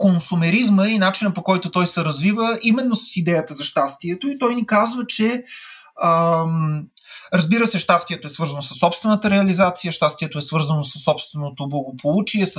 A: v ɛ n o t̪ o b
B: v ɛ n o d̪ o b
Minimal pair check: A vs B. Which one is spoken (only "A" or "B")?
A